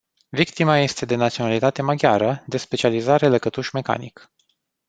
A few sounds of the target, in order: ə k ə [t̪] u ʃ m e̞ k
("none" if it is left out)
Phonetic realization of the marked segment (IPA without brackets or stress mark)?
t̪